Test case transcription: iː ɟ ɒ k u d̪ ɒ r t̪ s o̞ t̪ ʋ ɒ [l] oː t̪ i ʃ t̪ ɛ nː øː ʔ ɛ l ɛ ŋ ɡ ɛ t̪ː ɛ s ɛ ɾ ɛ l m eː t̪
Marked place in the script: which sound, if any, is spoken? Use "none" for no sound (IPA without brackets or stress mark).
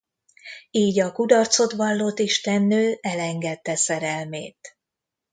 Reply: lː